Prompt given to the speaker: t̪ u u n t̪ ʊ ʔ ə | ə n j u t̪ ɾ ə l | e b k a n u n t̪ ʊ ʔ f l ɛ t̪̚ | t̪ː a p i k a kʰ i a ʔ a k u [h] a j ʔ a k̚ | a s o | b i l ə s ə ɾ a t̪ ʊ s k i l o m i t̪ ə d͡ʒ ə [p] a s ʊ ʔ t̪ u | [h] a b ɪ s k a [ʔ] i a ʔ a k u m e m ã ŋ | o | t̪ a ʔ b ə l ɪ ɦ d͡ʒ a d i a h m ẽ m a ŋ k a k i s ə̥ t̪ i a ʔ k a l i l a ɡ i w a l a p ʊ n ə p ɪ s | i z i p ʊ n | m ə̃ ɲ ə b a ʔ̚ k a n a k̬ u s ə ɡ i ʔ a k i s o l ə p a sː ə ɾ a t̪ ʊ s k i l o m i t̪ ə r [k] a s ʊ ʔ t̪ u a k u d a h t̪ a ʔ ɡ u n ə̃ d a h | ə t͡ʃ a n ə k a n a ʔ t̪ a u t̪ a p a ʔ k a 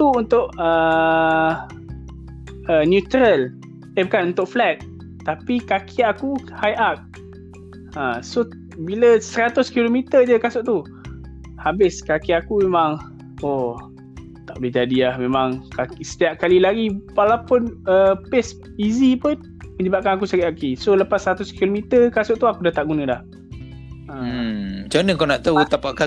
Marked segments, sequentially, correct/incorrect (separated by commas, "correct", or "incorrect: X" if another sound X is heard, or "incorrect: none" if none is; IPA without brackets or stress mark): correct, incorrect: k, correct, incorrect: k, correct